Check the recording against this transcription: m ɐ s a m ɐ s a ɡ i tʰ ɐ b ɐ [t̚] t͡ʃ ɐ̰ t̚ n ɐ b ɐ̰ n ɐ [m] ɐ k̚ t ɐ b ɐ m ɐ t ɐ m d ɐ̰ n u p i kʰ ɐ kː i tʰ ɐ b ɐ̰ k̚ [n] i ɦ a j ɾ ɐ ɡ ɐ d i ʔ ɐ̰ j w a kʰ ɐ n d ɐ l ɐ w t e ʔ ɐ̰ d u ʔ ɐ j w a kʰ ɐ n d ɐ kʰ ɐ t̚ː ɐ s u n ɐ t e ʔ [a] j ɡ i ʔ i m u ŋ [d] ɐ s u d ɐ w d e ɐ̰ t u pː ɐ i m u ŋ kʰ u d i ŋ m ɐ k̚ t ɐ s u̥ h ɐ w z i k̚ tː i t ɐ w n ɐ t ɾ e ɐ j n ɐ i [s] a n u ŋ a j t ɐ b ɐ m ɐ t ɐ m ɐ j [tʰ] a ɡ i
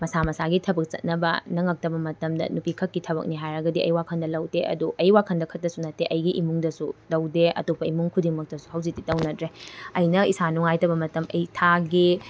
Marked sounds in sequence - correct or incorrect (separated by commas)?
incorrect, incorrect, correct, incorrect, correct, correct, correct